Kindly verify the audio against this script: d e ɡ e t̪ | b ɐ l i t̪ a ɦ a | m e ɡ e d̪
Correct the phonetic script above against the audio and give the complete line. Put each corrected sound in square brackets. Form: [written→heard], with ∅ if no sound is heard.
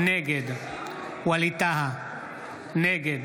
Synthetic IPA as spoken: [d→n] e ɡ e [t̪→d̪] | [b→w] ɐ l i t̪ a ɦ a | [m→n] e ɡ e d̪